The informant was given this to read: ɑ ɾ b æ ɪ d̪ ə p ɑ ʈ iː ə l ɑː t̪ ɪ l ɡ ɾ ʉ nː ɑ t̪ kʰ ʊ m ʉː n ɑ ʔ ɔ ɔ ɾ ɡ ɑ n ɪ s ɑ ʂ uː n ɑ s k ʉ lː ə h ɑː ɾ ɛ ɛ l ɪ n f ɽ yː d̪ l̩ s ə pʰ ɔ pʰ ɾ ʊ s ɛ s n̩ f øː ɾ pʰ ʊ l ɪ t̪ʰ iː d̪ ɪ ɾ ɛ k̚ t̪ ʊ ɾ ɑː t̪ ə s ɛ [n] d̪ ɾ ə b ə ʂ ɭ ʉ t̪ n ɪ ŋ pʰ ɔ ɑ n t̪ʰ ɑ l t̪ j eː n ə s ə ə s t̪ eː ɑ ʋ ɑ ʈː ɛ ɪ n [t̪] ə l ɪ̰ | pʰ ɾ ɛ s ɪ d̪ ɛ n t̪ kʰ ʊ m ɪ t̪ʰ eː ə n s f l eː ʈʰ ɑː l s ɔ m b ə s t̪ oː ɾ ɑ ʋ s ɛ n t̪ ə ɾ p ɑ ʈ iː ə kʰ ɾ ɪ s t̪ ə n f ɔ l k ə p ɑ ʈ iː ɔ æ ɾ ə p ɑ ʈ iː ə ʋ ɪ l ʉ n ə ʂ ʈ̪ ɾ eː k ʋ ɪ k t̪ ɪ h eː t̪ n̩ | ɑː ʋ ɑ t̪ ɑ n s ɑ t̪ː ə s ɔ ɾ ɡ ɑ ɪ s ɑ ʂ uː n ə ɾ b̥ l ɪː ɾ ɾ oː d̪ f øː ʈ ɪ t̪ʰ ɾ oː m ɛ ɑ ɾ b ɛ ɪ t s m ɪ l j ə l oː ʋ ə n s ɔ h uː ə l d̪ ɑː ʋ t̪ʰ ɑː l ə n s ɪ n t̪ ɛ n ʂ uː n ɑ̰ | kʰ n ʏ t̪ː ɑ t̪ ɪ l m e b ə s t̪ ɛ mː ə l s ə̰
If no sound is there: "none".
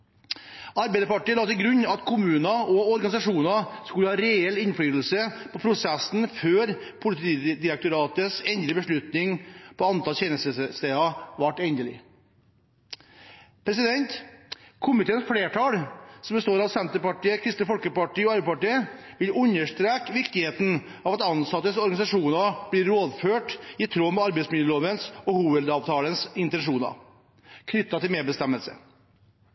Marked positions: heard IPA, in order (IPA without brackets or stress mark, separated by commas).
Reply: n, d̪